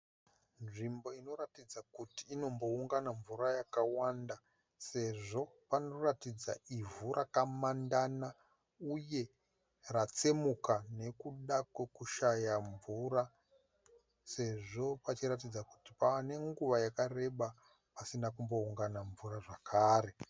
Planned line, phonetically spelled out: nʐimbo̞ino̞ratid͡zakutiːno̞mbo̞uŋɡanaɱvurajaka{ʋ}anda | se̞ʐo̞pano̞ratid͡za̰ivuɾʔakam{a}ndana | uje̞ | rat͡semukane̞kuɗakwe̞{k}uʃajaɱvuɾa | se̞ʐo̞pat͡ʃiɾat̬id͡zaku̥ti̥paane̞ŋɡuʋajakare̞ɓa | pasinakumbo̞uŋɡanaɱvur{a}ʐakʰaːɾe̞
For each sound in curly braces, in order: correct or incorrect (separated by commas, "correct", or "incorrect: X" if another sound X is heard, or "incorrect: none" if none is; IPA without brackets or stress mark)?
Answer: incorrect: w, correct, correct, correct